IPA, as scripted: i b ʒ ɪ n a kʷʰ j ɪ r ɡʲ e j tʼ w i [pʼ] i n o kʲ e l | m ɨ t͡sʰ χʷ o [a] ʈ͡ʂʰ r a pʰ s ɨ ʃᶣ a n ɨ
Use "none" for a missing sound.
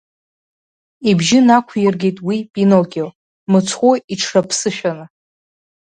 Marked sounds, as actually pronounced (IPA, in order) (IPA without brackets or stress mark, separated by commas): pʼ, i